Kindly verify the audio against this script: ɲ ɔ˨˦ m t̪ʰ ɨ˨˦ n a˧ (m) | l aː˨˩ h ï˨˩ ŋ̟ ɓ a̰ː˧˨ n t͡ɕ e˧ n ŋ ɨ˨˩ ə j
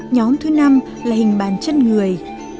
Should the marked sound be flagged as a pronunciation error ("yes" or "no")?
no